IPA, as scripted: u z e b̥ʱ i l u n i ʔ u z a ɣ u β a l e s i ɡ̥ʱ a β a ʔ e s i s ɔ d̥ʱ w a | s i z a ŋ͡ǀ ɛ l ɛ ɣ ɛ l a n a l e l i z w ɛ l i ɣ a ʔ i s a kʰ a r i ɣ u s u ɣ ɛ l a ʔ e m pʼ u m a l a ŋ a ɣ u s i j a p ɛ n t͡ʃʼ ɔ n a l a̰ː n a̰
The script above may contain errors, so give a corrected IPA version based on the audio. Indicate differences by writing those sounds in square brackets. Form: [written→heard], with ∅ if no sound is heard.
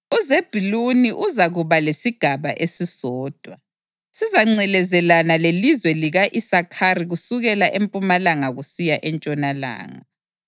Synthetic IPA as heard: u z e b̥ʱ i l u n i ʔ u z a ɣ u β a l e s i ɡ̥ʱ a β a ʔ e s i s [ɔ→ɔː] d̥ʱ w a | s i z a ŋ͡ǀ ɛ l ɛ [ɣ→z] ɛ l a n a l e l i z w ɛ l i ɣ a ʔ i s a kʰ a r i ɣ u s u ɣ ɛ l a ʔ e m pʼ u m a l a ŋ a ɣ u s i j a [p→ʔ] ɛ n t͡ʃʼ ɔ n a l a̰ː [n→ŋ] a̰